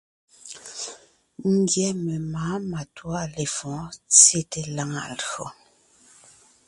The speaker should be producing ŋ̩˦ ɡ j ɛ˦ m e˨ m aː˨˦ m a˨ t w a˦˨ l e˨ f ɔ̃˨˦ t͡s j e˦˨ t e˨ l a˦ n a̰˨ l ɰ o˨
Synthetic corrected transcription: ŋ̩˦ ɡ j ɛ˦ m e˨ m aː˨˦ m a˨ t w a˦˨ l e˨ f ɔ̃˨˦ t͡s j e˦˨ t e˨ l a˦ ŋ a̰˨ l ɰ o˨